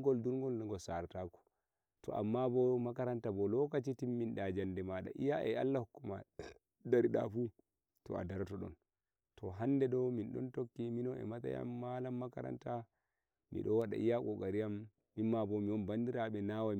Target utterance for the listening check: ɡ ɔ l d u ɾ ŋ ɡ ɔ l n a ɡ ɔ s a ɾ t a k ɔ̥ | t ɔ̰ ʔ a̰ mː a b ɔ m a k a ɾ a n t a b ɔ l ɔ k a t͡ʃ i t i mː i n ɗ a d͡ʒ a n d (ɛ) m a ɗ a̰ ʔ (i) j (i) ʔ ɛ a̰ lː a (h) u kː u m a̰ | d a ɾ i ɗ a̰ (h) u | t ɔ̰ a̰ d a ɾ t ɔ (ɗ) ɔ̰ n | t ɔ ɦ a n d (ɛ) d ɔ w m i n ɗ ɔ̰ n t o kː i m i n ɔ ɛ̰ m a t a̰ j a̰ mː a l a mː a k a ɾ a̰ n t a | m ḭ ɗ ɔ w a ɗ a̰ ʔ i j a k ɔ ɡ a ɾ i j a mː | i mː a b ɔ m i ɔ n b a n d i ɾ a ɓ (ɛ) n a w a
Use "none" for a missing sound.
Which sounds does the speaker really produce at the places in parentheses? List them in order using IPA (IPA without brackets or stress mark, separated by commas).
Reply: ɛ, i, a, h, f, ɗ, ɛ, ɛ